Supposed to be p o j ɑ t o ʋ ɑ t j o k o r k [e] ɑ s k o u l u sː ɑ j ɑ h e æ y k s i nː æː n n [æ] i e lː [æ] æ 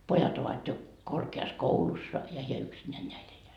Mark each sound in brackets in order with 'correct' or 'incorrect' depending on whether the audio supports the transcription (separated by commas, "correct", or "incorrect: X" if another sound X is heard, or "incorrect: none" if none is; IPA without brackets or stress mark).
correct, correct, incorrect: e